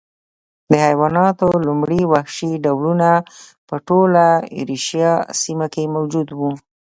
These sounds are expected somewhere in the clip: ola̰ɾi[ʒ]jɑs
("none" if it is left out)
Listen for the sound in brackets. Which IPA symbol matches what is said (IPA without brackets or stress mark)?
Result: ʃ